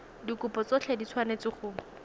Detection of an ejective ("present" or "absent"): absent